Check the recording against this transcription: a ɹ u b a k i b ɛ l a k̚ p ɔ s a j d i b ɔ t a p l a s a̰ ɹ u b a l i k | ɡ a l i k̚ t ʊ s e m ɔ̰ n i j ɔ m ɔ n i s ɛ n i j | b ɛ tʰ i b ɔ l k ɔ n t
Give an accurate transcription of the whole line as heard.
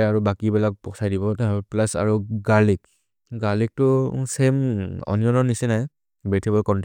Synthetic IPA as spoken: a ɹ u b a k i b ɛ l a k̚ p ɔ s a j d i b ɔ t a p l a s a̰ ɹ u ɡ a l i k | ɡ a l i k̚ t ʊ s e m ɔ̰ n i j ɔ n ɔ n i s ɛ n a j | b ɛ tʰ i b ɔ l k ɔ n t